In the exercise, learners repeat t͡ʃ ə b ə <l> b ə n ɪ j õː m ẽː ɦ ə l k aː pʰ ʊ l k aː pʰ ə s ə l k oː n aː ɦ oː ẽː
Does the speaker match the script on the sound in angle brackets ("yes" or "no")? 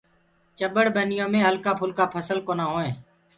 no